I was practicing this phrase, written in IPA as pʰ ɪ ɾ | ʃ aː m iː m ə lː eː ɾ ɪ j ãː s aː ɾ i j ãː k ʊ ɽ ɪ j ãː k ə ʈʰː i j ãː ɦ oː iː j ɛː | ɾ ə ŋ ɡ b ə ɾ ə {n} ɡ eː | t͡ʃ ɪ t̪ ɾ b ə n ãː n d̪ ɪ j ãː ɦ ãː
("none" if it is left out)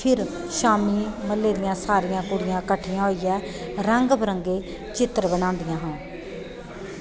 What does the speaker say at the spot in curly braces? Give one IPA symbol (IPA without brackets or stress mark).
ŋ